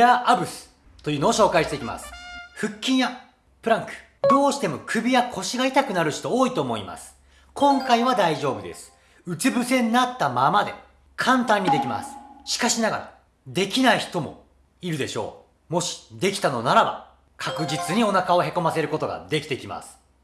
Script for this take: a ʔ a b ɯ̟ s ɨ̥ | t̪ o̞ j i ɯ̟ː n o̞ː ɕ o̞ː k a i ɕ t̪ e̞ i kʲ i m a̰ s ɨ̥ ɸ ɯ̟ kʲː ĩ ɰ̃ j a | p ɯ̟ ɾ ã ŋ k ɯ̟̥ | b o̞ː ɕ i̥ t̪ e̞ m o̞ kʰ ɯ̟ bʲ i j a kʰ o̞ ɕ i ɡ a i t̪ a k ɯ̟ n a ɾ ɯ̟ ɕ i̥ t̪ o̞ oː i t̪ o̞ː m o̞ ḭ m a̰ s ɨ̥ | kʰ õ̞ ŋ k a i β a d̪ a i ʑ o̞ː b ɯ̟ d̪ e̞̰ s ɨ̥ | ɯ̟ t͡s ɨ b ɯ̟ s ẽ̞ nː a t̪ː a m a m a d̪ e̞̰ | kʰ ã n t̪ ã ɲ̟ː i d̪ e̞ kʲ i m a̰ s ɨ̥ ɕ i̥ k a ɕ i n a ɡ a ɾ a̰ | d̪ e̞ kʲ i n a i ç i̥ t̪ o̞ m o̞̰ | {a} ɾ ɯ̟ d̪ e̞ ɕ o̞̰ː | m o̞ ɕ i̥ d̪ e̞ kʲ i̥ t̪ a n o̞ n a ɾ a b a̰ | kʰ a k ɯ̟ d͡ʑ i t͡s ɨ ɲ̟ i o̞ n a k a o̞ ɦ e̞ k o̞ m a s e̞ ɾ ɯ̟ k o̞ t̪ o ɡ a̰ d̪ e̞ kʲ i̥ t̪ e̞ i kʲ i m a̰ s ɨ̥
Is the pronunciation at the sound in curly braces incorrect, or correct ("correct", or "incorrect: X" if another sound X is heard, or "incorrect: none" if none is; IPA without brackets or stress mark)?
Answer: incorrect: i